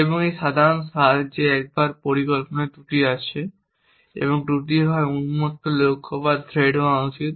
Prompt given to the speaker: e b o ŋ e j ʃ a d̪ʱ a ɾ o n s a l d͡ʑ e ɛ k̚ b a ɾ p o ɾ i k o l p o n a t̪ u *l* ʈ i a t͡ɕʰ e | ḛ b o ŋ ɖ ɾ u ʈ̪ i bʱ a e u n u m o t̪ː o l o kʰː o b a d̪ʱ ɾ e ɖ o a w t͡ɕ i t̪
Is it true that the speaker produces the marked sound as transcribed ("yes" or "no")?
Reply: no